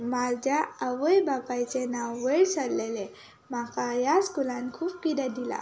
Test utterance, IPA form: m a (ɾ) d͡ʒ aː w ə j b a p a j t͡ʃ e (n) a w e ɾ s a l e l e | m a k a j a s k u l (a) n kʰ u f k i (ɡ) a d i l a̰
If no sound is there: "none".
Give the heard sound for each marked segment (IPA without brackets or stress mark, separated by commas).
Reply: l, n, a, d